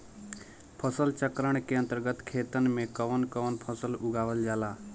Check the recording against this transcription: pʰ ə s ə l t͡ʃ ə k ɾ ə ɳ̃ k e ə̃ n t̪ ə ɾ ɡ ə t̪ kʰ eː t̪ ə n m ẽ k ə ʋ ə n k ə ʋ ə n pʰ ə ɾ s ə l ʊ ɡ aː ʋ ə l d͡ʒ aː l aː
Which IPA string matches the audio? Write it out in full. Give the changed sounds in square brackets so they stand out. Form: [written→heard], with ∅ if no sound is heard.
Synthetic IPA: pʰ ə s ə l t͡ʃ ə k ɾ ə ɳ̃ k e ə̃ n t̪ ə ɾ ɡ ə t̪ kʰ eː t̪ ə n m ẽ k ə ʋ ə n k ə ʋ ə n pʰ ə [ɾ→∅] s ə l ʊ ɡ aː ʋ ə l d͡ʒ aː l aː